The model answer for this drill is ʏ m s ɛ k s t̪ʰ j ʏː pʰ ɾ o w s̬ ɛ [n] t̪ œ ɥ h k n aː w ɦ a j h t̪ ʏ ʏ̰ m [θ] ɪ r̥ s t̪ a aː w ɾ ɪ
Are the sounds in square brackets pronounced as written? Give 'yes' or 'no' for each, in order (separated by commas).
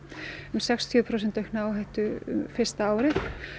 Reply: yes, no